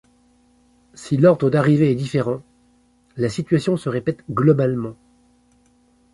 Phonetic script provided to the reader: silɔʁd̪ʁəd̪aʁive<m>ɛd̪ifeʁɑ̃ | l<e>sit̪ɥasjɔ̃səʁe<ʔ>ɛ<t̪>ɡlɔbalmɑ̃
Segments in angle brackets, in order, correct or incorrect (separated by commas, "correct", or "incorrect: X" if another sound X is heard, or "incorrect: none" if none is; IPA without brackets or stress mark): incorrect: none, incorrect: a, incorrect: p, correct